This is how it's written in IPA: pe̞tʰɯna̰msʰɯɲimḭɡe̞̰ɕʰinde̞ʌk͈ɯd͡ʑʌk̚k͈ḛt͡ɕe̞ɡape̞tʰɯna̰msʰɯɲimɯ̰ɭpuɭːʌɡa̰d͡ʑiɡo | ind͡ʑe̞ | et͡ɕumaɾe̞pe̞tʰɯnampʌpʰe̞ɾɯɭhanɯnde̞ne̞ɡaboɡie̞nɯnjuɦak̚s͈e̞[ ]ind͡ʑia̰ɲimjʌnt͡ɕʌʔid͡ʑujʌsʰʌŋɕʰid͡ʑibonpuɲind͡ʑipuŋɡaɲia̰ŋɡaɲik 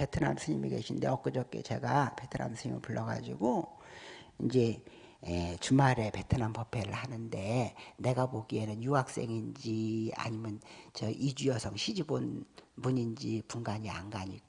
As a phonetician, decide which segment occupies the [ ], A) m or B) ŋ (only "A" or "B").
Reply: B